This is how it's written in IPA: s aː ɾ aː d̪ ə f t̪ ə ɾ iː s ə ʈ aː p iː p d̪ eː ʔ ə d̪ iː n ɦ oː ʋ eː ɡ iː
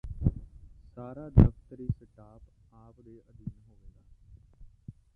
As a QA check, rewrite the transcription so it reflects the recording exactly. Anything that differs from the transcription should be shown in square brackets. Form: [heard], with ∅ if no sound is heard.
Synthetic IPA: s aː ɾ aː d̪ ə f t̪ ə ɾ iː s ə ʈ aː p [aː] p d̪ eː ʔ ə d̪ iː n ɦ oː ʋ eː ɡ [aː]